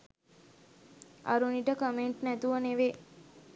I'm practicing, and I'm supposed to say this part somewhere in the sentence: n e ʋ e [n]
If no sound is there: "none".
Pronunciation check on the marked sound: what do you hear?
none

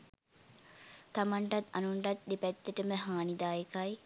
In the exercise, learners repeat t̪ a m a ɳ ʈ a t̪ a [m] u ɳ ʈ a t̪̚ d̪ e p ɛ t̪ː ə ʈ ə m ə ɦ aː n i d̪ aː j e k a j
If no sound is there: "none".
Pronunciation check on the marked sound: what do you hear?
n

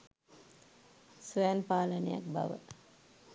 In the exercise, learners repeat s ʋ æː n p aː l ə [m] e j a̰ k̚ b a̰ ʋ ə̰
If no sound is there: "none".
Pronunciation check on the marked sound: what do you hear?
n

